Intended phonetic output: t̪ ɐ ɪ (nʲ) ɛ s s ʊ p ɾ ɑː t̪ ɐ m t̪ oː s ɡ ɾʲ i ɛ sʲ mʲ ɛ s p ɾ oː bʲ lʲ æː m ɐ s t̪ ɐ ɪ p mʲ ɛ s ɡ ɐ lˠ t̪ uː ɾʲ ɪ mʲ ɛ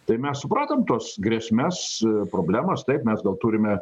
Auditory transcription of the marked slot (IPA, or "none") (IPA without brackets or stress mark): mʲ